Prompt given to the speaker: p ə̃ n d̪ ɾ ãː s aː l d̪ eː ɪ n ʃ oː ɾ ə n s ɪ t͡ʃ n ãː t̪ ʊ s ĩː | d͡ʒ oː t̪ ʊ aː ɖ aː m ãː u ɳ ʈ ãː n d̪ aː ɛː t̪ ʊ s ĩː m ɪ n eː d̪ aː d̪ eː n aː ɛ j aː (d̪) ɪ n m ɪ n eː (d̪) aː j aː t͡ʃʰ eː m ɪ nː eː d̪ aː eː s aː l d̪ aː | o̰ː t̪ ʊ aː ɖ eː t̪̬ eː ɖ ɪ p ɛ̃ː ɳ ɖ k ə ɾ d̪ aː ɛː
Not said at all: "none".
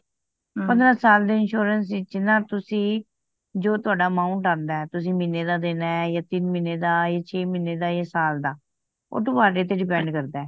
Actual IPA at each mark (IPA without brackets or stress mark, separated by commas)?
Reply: t̪, d̪